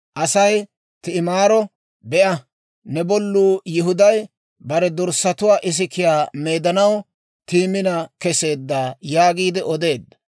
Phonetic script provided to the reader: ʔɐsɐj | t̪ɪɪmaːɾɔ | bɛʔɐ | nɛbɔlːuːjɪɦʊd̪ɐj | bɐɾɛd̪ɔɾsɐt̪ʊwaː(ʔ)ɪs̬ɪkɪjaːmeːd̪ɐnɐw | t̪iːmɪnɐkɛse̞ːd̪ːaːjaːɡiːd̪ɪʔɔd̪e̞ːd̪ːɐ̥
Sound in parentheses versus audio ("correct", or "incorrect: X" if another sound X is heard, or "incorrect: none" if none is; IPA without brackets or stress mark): correct